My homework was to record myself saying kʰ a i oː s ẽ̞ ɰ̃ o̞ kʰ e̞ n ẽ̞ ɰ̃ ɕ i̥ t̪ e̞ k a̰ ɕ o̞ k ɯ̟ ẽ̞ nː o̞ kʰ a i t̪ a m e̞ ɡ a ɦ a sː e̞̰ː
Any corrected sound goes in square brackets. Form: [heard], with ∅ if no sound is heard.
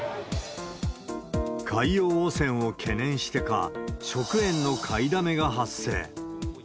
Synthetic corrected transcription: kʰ a i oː s ẽ̞ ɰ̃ o̞ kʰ e̞ n ẽ̞ ɰ̃ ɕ i̥ t̪ e̞ k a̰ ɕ o̞ k ɯ̟ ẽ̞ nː o̞ kʰ a i [d̪] a m e̞ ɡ a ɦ a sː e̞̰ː